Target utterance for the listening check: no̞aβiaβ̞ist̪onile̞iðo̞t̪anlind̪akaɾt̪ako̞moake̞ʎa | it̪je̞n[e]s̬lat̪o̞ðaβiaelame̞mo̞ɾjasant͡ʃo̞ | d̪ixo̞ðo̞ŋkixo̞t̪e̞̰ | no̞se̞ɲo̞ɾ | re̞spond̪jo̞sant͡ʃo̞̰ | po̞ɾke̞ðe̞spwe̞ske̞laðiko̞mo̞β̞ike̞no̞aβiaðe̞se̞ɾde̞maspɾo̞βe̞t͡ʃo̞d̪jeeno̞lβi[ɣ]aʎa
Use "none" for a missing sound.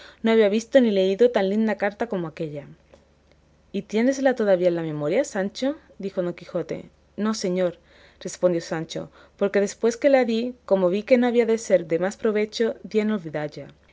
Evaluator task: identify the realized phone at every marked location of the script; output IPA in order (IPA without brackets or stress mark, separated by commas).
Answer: e, ð